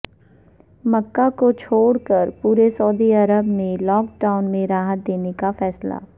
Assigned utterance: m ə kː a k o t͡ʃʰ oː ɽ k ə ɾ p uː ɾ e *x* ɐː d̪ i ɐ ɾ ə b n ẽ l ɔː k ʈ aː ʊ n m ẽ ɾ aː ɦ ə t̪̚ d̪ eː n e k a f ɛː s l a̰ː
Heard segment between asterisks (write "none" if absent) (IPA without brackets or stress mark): s